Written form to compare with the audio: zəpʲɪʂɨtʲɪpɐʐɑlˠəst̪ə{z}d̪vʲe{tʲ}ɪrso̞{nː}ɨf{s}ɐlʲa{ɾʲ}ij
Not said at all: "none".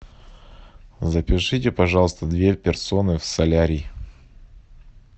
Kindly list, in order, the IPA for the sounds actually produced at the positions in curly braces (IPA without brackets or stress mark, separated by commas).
none, pʲ, n, s, ɾʲ